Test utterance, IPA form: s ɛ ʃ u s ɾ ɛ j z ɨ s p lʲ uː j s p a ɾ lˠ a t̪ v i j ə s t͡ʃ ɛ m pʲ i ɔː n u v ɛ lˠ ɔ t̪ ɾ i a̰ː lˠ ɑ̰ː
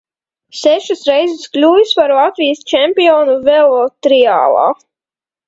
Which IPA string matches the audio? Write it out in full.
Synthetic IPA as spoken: s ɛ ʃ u s ɾ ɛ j z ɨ s k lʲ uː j s p a ɾ lˠ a t̪ v i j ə s t͡ʃ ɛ m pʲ i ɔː n u v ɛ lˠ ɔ t̪ ɾ i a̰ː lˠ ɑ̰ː